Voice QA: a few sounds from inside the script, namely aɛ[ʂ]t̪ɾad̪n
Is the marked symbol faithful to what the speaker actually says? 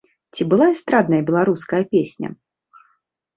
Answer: no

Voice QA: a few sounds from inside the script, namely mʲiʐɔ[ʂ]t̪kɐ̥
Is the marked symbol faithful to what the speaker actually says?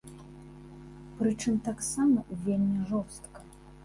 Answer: no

